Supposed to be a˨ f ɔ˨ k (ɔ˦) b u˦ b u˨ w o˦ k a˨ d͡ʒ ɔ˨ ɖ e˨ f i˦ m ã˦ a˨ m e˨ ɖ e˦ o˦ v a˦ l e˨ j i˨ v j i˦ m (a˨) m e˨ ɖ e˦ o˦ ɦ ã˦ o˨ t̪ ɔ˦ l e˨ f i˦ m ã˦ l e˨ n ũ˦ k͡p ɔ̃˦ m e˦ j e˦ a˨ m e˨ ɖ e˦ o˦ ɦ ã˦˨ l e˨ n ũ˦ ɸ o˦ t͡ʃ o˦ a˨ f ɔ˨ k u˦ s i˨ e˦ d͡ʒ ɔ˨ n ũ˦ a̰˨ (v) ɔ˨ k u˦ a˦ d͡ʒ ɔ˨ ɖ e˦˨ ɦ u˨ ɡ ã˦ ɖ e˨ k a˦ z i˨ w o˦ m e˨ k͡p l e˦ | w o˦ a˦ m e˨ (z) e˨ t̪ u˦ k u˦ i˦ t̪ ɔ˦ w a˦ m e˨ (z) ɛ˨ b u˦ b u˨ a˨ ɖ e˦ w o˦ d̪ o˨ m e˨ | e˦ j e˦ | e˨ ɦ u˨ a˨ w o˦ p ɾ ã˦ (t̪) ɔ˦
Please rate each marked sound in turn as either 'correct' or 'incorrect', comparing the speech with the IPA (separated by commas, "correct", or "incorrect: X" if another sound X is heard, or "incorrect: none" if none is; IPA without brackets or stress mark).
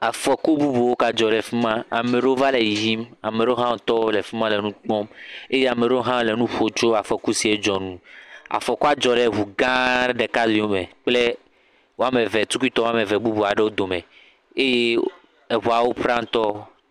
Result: incorrect: u˦, correct, incorrect: f, incorrect: v, incorrect: v, correct